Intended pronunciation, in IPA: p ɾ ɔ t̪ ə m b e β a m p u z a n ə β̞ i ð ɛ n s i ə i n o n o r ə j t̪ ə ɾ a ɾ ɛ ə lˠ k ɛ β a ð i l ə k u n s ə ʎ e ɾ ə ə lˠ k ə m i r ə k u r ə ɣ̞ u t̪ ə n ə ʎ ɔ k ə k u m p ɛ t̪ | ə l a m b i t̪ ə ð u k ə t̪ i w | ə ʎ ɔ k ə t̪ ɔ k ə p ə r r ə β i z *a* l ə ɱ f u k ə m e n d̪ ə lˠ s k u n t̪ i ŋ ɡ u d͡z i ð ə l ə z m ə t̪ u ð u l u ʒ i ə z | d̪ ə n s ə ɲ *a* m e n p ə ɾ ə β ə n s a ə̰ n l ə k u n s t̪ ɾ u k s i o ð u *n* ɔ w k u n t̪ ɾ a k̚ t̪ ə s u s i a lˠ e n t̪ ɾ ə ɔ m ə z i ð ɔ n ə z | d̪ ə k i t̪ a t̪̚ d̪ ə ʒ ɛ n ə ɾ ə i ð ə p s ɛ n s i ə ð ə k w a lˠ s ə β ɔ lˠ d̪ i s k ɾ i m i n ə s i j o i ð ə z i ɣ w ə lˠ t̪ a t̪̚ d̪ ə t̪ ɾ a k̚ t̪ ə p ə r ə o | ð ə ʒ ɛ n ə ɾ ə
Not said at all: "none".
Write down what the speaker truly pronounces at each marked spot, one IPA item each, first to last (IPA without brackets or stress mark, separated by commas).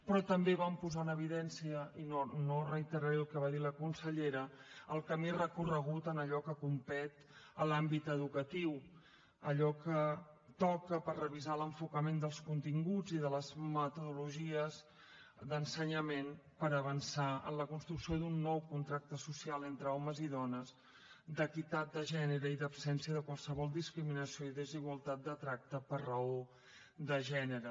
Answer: a, ə, nː